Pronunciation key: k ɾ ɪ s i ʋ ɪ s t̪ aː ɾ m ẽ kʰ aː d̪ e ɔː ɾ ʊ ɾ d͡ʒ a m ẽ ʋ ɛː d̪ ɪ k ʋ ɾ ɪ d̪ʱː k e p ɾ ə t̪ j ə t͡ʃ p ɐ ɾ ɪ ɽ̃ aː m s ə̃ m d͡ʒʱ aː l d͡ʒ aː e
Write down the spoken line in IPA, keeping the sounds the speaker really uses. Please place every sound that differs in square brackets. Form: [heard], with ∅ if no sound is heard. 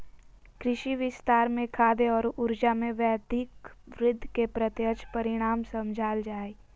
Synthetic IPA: k ɾ ɪ [ʃ] i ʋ ɪ s t̪ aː ɾ m ẽ kʰ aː d̪ e ɔː ɾ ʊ ɾ d͡ʒ a m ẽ ʋ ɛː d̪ ɪ k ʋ ɾ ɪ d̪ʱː k e p ɾ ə t̪ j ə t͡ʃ p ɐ ɾ ɪ ɽ̃ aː m s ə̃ m d͡ʒʱ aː l d͡ʒ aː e